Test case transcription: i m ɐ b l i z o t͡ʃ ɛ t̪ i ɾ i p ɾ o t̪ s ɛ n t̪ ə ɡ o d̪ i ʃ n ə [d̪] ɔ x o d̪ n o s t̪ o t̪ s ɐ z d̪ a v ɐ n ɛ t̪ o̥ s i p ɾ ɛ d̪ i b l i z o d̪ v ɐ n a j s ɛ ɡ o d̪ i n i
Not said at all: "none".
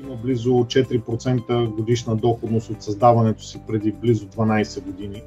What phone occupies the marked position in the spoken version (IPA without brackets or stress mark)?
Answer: d̪